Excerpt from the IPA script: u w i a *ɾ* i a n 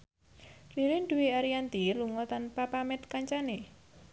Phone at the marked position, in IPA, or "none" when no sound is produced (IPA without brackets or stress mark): ɾ